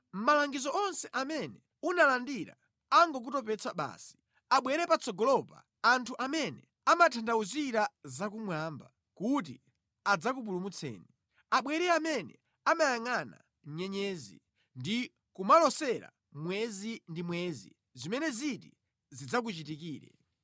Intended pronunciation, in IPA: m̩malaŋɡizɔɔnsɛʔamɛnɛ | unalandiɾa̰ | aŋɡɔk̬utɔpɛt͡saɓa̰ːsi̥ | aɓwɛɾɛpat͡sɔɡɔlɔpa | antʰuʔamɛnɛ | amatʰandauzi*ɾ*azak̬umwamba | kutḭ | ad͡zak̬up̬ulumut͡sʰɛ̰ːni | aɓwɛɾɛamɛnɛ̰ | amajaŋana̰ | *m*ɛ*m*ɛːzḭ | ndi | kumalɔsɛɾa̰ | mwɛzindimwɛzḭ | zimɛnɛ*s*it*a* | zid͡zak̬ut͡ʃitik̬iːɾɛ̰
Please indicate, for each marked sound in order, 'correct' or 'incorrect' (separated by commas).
correct, incorrect, incorrect, incorrect, incorrect